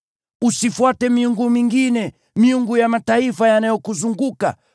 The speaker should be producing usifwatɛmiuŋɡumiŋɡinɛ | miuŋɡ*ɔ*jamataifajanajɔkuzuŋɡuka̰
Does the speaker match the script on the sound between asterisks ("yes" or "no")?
no